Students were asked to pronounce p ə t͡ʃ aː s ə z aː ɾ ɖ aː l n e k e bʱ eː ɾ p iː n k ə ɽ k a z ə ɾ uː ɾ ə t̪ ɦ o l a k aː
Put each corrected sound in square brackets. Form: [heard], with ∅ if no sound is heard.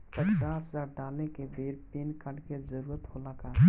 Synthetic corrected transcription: p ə t͡ʃ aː s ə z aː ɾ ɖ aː l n e k e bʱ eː ɾ p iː n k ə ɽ k [e] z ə ɾ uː ɾ ə t̪ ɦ o l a k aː